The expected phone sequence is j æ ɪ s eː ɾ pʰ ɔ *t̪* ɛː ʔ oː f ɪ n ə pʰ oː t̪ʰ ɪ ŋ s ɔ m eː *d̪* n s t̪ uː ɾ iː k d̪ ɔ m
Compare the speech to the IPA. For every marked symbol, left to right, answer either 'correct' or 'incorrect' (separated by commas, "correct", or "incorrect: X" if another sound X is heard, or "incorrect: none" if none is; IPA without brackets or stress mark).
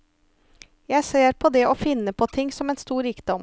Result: incorrect: d̪, incorrect: none